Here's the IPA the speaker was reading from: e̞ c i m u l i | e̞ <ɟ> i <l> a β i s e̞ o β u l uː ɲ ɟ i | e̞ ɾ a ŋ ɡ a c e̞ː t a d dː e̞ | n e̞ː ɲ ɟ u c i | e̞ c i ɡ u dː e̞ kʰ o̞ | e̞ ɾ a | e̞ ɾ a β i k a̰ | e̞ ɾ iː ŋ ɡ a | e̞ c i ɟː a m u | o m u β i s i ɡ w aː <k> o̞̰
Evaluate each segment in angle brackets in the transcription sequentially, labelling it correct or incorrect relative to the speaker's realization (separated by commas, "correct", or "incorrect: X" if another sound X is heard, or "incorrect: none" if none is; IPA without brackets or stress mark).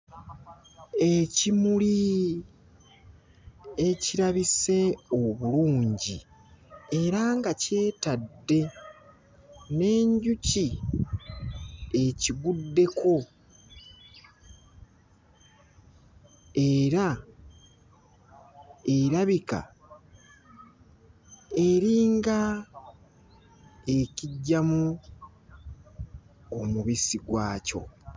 incorrect: c, incorrect: ɾ, incorrect: c